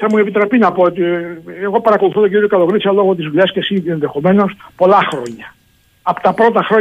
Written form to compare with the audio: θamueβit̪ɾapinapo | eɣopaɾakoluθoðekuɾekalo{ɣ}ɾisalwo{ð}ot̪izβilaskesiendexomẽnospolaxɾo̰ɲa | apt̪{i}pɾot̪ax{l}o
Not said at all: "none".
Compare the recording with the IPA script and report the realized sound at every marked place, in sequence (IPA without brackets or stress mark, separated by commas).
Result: ɣ, ɣ, a, ɾ